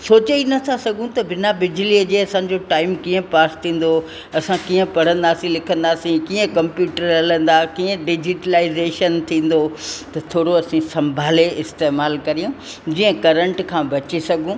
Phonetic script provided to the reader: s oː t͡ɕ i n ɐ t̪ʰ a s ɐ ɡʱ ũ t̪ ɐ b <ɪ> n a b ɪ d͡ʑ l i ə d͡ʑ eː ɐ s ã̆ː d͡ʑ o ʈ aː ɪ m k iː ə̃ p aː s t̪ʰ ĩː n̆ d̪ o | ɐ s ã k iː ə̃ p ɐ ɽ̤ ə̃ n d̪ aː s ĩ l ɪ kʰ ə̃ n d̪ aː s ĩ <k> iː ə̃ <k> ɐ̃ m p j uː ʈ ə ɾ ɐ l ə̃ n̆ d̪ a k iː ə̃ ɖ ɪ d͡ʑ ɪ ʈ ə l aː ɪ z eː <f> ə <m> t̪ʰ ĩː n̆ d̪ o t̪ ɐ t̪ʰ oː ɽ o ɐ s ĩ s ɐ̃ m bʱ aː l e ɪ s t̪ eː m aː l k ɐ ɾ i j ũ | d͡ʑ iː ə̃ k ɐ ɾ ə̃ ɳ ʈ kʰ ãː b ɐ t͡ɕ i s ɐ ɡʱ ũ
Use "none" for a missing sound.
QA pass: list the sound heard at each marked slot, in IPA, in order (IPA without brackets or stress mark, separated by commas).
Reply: ɪ, k, k, ʃ, n